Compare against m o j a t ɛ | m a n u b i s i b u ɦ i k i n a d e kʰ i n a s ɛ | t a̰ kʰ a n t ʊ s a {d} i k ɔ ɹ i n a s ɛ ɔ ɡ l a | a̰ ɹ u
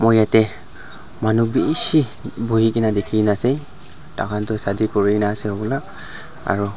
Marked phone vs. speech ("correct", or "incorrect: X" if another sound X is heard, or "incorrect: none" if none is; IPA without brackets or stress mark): correct